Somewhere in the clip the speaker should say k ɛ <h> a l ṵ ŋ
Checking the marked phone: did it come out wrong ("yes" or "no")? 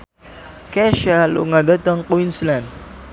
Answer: yes